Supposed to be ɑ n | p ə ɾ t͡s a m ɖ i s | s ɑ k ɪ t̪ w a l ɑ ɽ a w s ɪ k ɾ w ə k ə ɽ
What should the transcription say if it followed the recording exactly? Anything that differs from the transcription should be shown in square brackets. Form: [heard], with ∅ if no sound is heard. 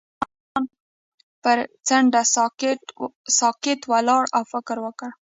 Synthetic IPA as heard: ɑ n | p ə ɾ t͡s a [ɳ] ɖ [a] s | s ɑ k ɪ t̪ w a l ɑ ɽ a w [f] ɪ k ɾ w ə k ə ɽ